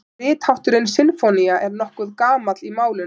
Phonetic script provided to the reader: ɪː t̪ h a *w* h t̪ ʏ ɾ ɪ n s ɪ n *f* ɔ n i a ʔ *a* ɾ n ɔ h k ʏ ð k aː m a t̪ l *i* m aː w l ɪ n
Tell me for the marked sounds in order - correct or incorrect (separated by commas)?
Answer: correct, correct, incorrect, correct